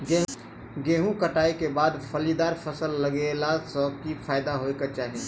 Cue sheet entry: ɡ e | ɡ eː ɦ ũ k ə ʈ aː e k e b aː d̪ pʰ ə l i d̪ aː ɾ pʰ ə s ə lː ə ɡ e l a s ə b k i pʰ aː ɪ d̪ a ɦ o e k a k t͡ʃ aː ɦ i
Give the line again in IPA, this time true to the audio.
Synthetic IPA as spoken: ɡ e | ɡ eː ɦ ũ k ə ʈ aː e k e b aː d̪ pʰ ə l i d̪ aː ɾ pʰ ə s ə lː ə ɡ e l a s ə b k i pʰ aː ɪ d̪ a ɦ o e k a t͡ʃ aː ɦ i

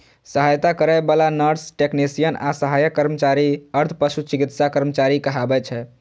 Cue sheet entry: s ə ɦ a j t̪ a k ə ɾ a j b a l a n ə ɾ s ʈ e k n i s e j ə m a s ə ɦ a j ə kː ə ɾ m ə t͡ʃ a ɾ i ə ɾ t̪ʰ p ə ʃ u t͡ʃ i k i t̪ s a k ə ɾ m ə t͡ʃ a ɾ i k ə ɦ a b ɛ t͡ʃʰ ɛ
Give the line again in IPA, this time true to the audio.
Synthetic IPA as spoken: s ə ɦ a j t̪ a k ə ɾ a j b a l a n ə ɾ s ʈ e k n i s i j ə n a s ə ɦ a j ə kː ə ɾ m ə t͡ʃ a ɾ i ə ɾ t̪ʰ p ə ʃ u t͡ʃ i k i t̪ s a k ə ɾ m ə t͡ʃ a ɾ i k ə ɦ a b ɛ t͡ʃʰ ɛ

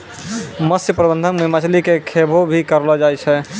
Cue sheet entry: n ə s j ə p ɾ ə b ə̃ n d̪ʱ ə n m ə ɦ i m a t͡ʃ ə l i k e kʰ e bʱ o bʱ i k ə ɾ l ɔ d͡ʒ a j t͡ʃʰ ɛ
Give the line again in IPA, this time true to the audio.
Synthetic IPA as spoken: m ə s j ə p ɾ ə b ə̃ n d̪ʱ ə n m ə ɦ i m a t͡ʃ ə l i k e kʰ e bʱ o bʱ i k ə ɾ l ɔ d͡ʒ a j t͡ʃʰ ɛ

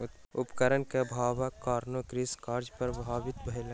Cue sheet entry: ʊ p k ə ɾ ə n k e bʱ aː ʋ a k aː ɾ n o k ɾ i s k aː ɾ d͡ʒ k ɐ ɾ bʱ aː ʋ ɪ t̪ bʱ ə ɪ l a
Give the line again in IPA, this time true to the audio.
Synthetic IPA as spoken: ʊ p k ə ɾ ə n k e bʱ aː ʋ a k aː ɾ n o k ɾ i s k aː ɾ d͡ʒ p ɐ ɾ bʱ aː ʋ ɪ t̪ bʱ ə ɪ l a

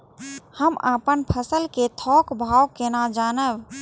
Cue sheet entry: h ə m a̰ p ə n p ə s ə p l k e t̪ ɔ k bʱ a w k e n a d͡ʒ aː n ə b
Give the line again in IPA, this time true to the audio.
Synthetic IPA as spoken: h ə m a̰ p ə n pʰ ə s ə l k e t̪ʰ ɔ k bʱ a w k e n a d͡ʒ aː n ə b

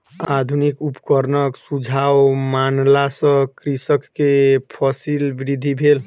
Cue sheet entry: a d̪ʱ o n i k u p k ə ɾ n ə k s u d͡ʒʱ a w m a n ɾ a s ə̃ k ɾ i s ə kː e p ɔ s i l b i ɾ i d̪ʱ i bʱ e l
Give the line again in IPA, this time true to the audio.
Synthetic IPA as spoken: a d̪ʱ u n i k u p k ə ɾ n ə k s u d͡ʒʱ a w m a n l a s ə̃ k ɾ i s ə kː e pʰ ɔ s i l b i ɾ i d̪ʱ i bʱ e l

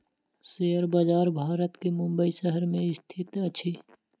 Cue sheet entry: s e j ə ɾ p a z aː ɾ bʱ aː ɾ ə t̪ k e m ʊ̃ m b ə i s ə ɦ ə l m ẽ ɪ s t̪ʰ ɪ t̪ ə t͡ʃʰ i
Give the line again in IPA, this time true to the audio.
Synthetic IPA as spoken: s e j ə ɾ b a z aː ɾ bʱ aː ɾ ə t̪ k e m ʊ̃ m b ə i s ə ɦ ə ɾ m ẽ ɪ s t̪ʰ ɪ t̪ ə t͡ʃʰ i

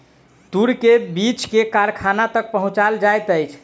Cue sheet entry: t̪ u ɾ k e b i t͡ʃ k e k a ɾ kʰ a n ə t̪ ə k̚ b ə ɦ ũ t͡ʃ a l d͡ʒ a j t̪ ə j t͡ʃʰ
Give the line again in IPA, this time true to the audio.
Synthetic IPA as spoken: t̪ u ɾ k e b i t͡ʃ k e k a ɾ kʰ a n a t̪ ə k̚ p ə ɦ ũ t͡ʃ a l d͡ʒ a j t̪ ə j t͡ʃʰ

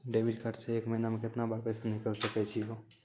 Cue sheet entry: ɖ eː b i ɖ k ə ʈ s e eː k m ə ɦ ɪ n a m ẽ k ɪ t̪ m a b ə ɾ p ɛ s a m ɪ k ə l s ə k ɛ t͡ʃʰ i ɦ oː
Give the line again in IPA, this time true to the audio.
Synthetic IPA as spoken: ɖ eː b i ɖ k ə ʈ s e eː k m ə ɦ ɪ n a m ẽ k ɪ t̪ n a b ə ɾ p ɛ s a n ɪ k ə l s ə k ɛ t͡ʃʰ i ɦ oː

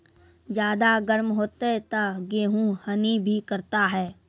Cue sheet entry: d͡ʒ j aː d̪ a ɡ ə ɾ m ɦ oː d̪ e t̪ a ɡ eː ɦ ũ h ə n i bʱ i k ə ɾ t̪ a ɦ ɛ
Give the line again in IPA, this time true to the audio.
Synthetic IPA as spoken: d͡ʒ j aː d̪ a ɡ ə ɾ m ɦ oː t̪ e t̪ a ɡ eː ɦ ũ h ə n i bʱ i k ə ɾ t̪ a ɦ ɛː

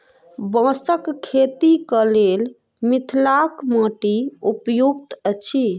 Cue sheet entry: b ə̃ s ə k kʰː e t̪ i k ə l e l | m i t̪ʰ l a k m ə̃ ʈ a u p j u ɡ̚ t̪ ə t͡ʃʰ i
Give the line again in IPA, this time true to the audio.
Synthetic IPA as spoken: b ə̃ s ə k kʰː e t̪ i k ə l e l | m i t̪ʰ l a k m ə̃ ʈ i u p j u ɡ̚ t̪ ə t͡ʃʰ i

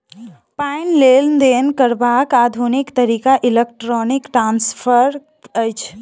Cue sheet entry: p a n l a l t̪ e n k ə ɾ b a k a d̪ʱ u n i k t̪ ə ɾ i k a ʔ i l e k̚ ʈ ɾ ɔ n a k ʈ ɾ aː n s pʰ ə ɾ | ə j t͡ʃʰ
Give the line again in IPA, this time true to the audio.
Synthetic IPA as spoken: p a n l e l d̪ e n k ə ɾ b a k a d̪ʱ u n i k t̪ ə ɾ i k a ʔ i l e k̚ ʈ ɾ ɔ n i k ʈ ɾ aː n s pʰ ə ɾ | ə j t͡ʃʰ

